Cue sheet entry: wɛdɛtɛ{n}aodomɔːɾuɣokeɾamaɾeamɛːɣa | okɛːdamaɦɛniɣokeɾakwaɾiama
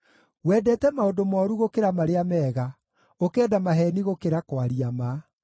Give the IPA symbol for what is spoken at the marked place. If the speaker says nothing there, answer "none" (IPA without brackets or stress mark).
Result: m